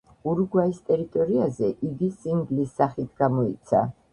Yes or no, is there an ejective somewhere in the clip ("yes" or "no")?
yes